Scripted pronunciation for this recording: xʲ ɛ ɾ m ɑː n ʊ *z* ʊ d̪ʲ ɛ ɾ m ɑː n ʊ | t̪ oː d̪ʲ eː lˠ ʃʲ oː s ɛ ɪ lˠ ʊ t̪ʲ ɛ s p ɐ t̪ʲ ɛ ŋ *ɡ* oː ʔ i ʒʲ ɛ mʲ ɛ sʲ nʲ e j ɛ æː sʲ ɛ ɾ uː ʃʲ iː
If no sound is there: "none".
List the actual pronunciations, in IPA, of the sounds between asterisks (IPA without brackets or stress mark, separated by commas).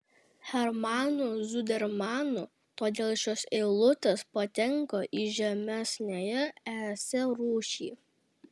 z, k